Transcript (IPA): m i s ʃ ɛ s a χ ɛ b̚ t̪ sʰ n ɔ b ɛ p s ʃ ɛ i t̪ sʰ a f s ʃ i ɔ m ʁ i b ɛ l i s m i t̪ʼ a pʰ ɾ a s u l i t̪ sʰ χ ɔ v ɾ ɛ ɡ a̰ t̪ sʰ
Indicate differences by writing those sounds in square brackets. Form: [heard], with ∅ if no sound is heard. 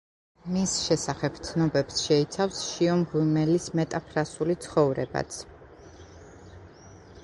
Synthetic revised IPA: m i s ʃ ɛ s a χ ɛ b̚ t̪ sʰ n ɔ b ɛ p s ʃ ɛ i t̪ sʰ a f s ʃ i ɔ m ʁ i [m] ɛ l i s m [ɛ] t̪ʼ a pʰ ɾ a s u l i t̪ sʰ χ ɔ v ɾ ɛ [b] a̰ t̪ sʰ